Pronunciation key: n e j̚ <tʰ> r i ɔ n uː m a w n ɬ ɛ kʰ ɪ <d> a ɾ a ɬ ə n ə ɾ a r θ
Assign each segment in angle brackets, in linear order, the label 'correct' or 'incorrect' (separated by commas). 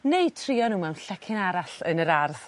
correct, incorrect